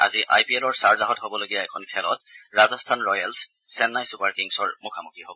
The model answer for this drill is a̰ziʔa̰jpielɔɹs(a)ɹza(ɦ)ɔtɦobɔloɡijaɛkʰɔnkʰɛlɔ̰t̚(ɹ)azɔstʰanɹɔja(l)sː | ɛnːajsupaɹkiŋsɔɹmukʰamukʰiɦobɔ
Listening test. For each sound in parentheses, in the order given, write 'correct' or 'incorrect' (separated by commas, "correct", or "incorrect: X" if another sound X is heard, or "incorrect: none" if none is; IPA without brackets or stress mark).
correct, correct, correct, correct